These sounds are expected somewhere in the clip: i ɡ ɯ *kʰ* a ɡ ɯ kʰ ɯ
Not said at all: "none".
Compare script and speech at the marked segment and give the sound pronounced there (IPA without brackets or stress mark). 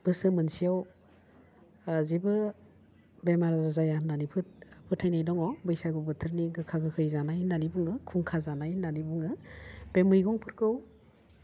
kʰ